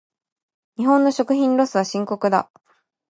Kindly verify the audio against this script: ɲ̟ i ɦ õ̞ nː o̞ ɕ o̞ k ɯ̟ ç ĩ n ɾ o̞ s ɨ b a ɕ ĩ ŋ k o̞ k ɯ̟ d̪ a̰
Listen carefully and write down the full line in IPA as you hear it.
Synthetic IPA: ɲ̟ i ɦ õ̞ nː o̞ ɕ o̞ k ɯ̟ ç ĩ n ɾ o̞ s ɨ β a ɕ ĩ ŋ k o̞ k ɯ̟ d̪ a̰